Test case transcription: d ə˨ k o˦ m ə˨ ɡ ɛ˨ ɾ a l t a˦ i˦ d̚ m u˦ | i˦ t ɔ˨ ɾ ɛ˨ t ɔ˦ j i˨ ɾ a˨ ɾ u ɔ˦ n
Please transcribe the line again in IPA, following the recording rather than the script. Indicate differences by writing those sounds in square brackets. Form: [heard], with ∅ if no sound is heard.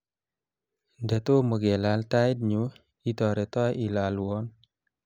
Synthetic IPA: d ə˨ [t] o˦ m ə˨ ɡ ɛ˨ [l] a l t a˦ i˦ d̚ [ɲ] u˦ | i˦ t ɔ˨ ɾ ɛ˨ t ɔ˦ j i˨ [l] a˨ [l] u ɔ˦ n